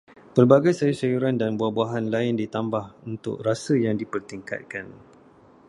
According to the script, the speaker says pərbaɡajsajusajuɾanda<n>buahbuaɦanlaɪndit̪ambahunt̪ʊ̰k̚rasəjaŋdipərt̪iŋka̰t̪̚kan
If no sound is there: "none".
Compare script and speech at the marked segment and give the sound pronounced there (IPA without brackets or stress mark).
n